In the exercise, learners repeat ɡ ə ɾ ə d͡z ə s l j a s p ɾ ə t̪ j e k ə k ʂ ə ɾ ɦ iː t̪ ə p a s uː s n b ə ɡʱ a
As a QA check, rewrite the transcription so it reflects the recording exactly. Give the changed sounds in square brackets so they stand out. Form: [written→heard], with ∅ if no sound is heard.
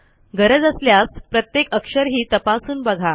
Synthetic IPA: ɡ ə ɾ ə d͡z ə s l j a s p ɾ ə t̪ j e k ə k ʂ ə ɾ ɦ iː t̪ ə p a s uː [s→∅] n b ə ɡʱ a